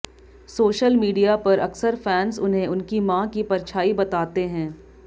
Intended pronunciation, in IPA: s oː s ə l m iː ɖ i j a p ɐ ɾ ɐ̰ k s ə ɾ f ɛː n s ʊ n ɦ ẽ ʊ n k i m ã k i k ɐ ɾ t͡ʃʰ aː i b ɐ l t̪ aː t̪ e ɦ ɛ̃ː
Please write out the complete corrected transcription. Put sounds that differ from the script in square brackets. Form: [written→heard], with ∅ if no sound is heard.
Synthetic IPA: s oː [s→ʃ] ə l m iː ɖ i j a p ɐ ɾ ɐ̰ k s ə ɾ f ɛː n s ʊ n ɦ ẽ ʊ n k i m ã k i [k→p] ɐ ɾ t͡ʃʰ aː i b ɐ [l→∅] t̪ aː t̪ e ɦ ɛ̃ː